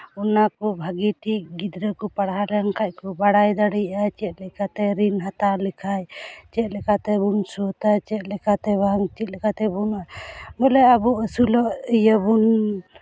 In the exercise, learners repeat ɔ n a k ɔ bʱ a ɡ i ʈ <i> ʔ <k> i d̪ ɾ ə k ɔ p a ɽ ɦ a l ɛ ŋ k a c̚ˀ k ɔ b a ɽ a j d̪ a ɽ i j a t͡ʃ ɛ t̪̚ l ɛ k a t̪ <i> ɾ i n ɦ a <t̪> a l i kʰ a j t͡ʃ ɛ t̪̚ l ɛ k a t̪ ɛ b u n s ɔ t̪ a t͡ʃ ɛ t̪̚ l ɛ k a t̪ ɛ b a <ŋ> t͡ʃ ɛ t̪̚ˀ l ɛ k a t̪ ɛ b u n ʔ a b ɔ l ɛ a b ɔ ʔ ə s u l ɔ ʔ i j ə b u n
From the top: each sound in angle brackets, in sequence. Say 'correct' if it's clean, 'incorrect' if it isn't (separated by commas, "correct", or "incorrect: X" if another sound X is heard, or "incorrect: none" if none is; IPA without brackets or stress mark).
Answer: correct, incorrect: ɡ, incorrect: ɛ, correct, correct